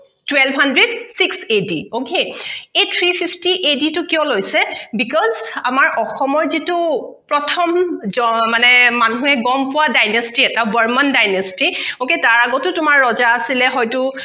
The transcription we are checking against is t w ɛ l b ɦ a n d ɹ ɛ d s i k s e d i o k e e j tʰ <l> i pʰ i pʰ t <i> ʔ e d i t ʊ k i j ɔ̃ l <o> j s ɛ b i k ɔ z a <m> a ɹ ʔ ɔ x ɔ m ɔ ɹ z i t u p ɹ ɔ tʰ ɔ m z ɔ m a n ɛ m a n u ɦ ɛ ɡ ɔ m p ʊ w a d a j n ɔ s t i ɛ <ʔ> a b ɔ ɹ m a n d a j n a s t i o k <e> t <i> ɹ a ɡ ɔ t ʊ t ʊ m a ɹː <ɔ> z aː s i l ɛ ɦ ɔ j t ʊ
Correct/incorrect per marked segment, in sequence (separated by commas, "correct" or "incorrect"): incorrect, correct, correct, correct, incorrect, correct, incorrect, correct